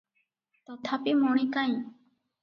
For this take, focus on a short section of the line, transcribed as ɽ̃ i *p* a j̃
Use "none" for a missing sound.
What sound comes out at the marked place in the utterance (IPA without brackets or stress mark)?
k